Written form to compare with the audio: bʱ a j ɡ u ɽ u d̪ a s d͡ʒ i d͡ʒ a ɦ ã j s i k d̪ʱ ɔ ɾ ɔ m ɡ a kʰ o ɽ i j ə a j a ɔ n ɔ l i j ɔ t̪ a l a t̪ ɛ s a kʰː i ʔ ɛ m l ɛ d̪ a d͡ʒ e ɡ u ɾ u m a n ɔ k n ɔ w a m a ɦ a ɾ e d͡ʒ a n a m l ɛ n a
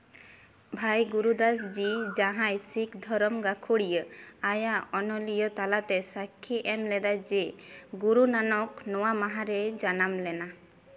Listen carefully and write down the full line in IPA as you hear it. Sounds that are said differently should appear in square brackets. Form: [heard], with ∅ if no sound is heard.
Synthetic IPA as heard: bʱ a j ɡ u [ɾ] u d̪ a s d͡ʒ i d͡ʒ a ɦ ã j s i k d̪ʱ ɔ ɾ ɔ m ɡ a kʰ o ɽ i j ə a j a ɔ n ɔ l i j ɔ t̪ a l a t̪ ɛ s a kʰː i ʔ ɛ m l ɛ d̪ a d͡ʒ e ɡ u ɾ u [n] a n ɔ k n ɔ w a m a ɦ a ɾ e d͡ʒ a n a m l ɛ n a